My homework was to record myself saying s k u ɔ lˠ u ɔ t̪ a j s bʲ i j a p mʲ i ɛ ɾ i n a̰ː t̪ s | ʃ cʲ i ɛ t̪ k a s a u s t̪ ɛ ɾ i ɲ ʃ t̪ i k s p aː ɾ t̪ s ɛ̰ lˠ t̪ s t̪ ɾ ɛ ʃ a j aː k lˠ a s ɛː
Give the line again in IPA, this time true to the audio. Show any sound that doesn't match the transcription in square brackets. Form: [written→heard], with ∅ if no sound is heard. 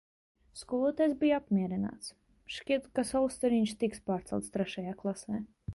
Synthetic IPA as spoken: s k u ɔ lˠ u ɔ t̪ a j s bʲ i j a p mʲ i ɛ ɾ i n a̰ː t̪ s | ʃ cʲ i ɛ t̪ k a s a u s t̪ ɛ ɾ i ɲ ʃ t̪ i k s p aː ɾ t̪ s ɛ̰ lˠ t̪ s t̪ ɾ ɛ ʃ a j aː k lˠ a s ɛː